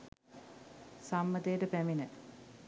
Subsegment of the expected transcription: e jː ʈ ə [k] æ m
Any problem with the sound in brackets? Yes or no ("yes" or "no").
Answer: yes